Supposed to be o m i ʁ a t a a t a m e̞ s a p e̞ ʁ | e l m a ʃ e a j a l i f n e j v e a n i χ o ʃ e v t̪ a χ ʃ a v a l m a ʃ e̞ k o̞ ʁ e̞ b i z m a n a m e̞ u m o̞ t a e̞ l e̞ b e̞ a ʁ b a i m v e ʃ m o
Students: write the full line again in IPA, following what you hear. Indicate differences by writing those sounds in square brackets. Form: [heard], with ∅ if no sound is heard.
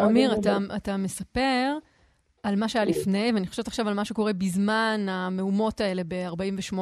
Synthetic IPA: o m i ʁ a t a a t a m e̞ s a p e̞ ʁ | [a] l m a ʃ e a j a l i f n e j v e a n i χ o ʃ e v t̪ a χ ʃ a v a l m a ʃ e̞ k o̞ ʁ e̞ b i z m a n a m e̞ u m o̞ t a e̞ l e̞ b e̞ a ʁ b a i m v e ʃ m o